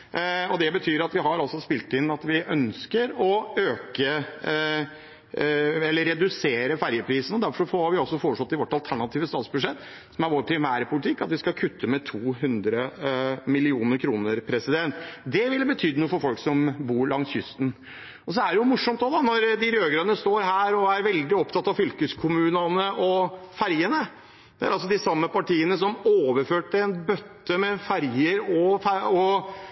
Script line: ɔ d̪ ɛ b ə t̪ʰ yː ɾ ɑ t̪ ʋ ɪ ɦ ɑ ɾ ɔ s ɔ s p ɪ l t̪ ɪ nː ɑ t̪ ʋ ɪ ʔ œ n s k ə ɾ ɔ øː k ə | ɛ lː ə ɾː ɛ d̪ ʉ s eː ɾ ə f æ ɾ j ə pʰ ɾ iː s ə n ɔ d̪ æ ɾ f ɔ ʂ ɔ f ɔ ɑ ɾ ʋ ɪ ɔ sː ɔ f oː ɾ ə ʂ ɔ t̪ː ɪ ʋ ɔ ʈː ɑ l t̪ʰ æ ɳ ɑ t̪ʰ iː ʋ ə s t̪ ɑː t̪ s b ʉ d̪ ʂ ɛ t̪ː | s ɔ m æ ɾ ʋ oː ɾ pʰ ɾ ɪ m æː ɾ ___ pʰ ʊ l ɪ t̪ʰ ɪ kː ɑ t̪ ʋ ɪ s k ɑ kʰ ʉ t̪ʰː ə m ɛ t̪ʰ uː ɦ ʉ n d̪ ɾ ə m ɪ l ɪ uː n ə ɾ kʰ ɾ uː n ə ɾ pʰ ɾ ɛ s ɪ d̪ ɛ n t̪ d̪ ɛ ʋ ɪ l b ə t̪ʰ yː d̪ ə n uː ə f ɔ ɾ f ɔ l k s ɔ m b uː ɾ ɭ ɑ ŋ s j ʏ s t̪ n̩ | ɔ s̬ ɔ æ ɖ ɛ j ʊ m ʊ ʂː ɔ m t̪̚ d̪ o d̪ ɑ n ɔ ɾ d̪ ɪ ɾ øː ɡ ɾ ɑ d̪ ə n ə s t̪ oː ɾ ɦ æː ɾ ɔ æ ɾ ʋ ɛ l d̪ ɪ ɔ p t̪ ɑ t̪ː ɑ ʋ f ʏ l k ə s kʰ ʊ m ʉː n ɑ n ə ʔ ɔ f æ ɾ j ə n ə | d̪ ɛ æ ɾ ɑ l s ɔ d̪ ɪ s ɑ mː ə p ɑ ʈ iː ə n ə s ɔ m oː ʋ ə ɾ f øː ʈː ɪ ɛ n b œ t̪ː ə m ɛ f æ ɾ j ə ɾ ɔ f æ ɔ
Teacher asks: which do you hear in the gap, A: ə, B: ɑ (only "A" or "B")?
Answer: A